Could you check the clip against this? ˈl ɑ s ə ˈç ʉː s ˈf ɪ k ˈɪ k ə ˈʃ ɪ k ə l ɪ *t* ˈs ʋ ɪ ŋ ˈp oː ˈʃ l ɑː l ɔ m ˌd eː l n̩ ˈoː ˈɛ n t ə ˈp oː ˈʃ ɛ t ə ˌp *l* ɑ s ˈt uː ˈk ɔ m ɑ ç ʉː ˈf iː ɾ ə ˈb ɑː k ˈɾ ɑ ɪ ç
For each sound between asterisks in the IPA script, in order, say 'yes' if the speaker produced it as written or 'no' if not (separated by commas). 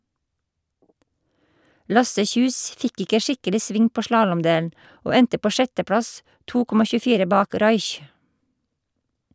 no, no